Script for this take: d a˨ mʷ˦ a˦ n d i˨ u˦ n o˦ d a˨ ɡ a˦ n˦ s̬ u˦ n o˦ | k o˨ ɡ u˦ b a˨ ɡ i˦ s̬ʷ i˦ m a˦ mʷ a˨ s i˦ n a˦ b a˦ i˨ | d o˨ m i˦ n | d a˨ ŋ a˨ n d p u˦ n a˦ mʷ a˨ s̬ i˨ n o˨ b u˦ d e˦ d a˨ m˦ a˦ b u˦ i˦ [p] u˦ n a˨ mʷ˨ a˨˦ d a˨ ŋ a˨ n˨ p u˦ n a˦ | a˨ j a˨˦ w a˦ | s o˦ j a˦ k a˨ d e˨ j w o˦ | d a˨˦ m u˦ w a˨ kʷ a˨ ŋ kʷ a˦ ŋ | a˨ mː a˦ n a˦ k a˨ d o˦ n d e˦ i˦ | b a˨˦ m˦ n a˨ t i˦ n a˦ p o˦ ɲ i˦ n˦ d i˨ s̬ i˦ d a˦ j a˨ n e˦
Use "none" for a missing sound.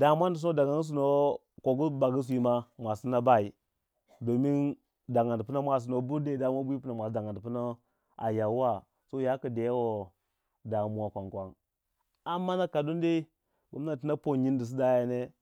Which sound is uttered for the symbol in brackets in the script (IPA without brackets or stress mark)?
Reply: p